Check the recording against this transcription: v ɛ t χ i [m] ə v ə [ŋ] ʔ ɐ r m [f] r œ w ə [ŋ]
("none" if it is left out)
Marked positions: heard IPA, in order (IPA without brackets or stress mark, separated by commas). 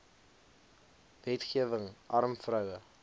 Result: none, ŋ, f, none